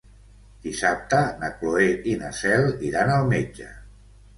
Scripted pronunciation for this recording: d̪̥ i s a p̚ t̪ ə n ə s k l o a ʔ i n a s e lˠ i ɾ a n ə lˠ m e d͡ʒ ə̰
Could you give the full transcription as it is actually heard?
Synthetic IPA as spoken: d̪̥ i s a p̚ t̪ ə n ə k l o e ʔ i n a s ɛ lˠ i ɾ a n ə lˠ m e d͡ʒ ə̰